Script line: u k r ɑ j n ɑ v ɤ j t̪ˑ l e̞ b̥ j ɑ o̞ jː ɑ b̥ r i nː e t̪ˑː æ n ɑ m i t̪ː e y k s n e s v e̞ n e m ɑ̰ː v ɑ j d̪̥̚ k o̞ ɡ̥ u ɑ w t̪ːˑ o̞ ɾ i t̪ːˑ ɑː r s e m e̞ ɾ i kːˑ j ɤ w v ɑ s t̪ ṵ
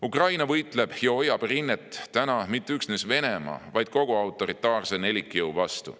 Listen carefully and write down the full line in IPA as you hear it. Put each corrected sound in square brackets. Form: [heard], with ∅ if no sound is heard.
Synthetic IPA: u k r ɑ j n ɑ v ɤ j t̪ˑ l e̞ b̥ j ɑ o̞ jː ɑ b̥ r i nː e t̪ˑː æ n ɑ m i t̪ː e y k s n e s v e̞ n e m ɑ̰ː v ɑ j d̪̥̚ k o̞ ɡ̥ u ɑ w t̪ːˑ o̞ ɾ i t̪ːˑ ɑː r s e [n] e̞ [l] i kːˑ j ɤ w v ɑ s t̪ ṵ

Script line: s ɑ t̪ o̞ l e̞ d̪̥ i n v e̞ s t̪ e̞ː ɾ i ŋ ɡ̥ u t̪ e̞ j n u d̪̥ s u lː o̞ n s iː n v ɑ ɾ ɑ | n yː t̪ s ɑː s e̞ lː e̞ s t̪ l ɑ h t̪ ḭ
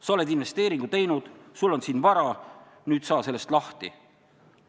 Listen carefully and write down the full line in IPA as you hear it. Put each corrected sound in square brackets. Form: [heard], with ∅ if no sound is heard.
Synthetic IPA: s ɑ [∅] o̞ l e̞ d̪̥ i n v e̞ s t̪ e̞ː ɾ i ŋ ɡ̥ u t̪ e̞ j n u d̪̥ s u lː o̞ n s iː n v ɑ ɾ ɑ | n yː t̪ s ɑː s e̞ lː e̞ s t̪ l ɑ h t̪ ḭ

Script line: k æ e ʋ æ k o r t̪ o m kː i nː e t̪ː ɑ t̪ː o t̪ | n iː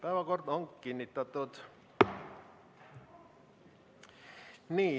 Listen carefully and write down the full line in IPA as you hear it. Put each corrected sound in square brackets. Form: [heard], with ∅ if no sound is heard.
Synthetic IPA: [p] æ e ʋ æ k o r t̪ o [ŋ] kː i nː [i] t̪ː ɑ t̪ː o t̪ | n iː

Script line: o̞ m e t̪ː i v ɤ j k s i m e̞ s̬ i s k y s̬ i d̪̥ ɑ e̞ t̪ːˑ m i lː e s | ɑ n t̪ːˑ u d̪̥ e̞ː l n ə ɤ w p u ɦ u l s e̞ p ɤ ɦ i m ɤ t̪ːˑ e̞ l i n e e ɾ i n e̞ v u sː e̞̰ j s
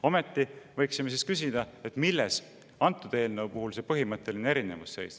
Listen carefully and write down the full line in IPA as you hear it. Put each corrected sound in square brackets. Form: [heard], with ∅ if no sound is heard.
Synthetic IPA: o̞ m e t̪ː i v ɤ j k s i m e̞ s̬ i s k y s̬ i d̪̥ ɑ e̞ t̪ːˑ m i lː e s | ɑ n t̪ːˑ u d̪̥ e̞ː l n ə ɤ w p u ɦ u l s e̞ p ɤ ɦ i m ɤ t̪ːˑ e̞ l i n e e ɾ i n e̞ v u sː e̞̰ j s

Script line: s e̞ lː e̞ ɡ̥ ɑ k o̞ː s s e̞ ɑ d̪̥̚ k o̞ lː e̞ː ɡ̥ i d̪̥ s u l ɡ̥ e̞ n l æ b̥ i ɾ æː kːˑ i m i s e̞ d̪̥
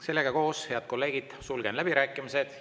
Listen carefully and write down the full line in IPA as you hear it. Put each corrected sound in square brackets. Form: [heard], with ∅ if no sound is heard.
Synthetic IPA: s e̞ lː e̞ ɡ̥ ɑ k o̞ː s [h] e̞ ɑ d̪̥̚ k o̞ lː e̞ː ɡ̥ i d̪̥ s u l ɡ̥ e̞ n l æ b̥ i ɾ æː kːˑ i m i s e̞ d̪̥

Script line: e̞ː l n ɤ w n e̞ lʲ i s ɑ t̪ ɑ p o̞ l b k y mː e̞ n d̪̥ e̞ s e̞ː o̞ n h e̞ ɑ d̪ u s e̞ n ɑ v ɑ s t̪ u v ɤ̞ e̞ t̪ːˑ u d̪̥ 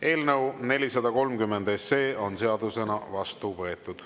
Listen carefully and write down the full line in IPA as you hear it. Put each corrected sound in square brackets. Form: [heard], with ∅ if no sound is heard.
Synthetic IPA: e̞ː l n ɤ w n e̞ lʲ i s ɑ [d̪] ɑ [k] o̞ l [m] k y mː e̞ n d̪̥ e̞ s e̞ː o̞ n [s] e̞ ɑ d̪ u s e̞ n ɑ v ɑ s t̪ u v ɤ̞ e̞ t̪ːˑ u d̪̥

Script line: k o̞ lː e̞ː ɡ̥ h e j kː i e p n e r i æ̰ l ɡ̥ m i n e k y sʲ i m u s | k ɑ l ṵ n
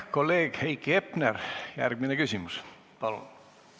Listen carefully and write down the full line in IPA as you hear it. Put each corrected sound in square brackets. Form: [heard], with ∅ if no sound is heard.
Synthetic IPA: k o̞ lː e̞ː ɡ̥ h e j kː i e p n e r [j] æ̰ [r] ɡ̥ m i n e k y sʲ i m u s | [p] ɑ l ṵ n

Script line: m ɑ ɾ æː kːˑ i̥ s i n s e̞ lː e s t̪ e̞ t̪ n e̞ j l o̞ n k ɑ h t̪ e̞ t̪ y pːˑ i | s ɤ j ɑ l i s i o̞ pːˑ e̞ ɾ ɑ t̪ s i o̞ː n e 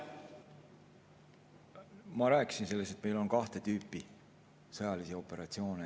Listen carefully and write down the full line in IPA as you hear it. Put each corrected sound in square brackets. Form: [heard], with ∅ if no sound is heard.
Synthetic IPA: m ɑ ɾ æː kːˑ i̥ s i n s e̞ lː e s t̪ e̞ t̪ [m] e̞ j l o̞ n k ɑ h t̪ e̞ t̪ [yː] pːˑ i | s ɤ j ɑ l i s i o̞ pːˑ e̞ ɾ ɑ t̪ s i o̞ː n e

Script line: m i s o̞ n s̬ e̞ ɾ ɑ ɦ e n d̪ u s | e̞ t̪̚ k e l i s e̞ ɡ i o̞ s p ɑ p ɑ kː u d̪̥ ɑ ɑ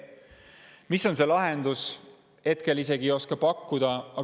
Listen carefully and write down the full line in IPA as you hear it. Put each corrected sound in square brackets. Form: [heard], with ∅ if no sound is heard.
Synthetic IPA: m i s o̞ n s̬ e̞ [l] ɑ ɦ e n d̪ u s | e̞ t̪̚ k e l i s e̞ ɡ i o̞ s [k] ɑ p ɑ kː u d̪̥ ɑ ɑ

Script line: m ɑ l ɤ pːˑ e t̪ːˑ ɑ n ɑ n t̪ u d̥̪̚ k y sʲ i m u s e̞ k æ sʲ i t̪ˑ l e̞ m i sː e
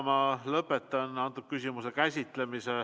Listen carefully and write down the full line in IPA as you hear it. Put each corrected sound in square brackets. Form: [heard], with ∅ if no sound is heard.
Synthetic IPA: m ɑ l ɤ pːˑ e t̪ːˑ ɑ n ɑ n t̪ u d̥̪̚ k y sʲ i m u s e̞ k æ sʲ i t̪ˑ l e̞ m i [s] e

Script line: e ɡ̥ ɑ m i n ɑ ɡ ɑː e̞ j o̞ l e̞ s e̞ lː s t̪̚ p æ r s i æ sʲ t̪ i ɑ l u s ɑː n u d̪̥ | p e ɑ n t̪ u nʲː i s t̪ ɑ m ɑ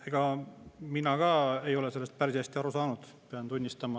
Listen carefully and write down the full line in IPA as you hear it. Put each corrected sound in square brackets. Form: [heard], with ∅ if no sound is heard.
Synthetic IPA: e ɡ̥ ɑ m i n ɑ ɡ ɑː e̞ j o̞ l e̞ s e̞ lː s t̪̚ p æ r s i æ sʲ t̪ i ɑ [ɾ] u s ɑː n u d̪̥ | p e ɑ n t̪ u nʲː i s t̪ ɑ m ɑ

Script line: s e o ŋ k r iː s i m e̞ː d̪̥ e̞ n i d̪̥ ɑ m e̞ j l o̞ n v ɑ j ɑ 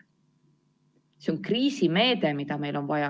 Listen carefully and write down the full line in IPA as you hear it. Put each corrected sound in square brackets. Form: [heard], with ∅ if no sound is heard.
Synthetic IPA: s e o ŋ k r iː s i m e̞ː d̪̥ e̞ [m] i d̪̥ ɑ m e̞ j l o̞ n v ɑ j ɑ

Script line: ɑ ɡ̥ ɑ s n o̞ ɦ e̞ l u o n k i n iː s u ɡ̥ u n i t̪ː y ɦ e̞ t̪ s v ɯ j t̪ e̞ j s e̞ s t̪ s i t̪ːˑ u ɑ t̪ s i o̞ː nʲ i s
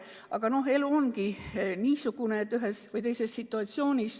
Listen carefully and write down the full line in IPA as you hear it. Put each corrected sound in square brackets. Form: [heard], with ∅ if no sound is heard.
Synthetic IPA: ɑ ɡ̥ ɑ [∅] n o̞ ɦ e̞ l u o n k i n iː s u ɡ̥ u n [e] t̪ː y ɦ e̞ [∅] s v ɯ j t̪ e̞ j s e̞ s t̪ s i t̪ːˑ u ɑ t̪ s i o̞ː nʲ i s

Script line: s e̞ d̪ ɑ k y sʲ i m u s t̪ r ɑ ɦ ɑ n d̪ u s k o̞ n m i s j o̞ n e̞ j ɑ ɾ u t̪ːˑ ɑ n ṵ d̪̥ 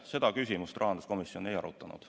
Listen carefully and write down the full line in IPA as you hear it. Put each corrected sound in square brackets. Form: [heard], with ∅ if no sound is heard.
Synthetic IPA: s e̞ d̪ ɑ k y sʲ i m u s t̪ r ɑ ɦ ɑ n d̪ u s k o̞ [∅] m i s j o̞ n e̞ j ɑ ɾ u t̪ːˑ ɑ n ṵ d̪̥

